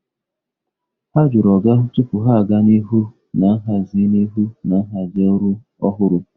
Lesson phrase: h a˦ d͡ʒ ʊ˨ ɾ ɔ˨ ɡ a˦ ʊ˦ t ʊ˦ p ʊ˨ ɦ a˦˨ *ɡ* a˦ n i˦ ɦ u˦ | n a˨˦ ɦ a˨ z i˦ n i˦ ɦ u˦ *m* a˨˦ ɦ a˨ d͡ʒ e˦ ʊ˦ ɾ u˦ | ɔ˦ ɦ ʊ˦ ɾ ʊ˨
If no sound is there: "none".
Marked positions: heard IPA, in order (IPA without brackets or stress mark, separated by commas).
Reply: ɡ, n